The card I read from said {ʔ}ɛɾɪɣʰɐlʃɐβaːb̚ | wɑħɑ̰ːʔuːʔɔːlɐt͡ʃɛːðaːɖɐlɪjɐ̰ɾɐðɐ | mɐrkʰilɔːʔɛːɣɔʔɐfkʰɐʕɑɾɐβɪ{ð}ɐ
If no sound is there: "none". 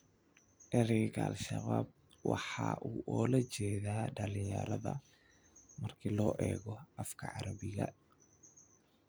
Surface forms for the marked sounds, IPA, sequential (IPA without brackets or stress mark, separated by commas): ʔ, ɣ